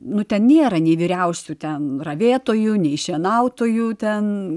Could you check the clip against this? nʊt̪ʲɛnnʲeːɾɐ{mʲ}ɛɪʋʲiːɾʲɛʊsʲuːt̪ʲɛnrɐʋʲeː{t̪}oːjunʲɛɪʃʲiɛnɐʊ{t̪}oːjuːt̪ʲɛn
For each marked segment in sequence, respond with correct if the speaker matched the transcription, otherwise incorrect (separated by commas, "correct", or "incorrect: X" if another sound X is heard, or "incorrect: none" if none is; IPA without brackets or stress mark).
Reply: incorrect: nʲ, correct, correct